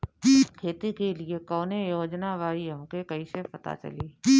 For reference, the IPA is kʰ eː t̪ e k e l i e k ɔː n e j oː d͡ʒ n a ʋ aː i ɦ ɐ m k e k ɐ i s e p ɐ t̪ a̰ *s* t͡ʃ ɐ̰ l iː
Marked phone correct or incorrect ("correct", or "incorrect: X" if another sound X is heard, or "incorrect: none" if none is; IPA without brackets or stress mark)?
incorrect: none